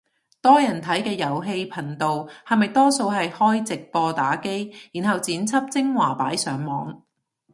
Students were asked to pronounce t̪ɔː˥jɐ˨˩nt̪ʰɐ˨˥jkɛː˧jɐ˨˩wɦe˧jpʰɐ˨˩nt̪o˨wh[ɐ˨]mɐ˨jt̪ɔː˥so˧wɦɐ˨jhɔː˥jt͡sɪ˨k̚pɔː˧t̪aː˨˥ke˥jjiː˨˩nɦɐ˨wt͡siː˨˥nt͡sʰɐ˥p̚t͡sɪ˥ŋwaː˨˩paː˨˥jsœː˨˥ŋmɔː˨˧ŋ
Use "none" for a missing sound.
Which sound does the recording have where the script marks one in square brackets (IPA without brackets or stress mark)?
ɐ˨